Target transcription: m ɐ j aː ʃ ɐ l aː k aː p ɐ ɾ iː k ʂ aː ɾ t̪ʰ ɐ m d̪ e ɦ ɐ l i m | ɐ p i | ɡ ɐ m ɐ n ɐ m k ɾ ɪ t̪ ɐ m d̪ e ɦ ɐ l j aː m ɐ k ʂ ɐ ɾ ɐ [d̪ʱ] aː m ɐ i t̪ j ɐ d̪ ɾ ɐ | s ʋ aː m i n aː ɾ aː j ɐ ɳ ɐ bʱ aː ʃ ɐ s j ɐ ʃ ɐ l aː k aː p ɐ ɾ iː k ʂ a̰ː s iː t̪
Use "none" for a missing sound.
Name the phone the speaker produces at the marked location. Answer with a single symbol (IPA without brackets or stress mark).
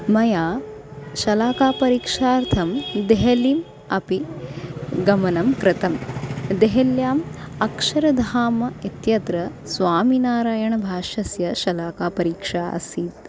d̪ʱ